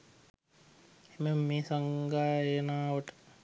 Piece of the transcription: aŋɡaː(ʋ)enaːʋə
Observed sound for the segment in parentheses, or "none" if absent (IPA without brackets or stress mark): none